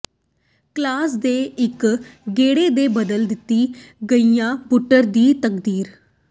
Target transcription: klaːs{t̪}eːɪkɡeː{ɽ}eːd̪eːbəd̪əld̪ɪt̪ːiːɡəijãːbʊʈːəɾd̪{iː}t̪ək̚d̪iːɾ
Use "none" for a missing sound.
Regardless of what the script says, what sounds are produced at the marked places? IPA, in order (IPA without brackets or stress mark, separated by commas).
d̪, ɽ, iː